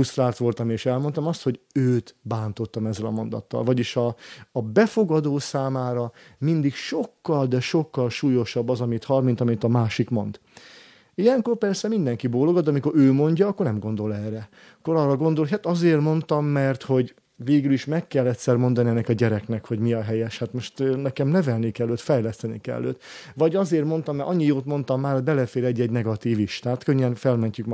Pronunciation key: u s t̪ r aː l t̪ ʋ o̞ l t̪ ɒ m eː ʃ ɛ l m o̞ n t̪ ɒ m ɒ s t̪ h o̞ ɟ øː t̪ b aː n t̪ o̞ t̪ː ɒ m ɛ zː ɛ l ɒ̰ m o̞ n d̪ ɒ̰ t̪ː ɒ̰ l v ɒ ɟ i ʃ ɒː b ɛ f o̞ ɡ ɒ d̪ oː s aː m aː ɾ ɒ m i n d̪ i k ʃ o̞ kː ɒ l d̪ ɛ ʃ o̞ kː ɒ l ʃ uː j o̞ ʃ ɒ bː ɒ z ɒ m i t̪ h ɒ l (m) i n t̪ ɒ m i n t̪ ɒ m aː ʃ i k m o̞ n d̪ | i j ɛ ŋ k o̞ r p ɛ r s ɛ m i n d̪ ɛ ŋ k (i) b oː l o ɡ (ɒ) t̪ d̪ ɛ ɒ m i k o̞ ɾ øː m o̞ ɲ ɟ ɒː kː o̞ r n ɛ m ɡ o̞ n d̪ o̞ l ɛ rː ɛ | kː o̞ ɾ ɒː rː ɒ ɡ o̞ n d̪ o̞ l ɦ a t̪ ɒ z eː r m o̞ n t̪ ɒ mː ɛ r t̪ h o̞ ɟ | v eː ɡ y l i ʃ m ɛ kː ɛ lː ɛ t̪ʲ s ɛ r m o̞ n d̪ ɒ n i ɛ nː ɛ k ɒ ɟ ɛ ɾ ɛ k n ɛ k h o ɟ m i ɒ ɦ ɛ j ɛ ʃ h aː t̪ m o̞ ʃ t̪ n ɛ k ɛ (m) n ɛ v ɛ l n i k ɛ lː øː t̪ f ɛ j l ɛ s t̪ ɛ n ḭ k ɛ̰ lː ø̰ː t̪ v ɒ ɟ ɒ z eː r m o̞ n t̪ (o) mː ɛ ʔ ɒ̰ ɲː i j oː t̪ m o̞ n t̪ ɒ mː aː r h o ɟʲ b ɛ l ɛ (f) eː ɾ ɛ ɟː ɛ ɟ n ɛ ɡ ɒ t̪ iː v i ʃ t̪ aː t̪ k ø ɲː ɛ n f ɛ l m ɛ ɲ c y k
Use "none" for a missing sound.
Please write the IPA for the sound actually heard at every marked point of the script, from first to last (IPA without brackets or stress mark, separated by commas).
m, i, o, m, ɒ, f